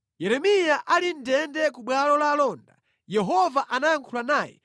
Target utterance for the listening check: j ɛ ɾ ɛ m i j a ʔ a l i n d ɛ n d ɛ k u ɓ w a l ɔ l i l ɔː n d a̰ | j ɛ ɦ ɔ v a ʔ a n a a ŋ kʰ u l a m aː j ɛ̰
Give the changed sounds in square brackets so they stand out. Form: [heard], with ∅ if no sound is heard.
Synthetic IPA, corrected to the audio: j ɛ ɾ ɛ m i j a ʔ a l i n d ɛ n d ɛ k u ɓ w a l ɔ l [a] l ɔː n d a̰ | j ɛ ɦ ɔ v a ʔ a n a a ŋ kʰ u l a [n] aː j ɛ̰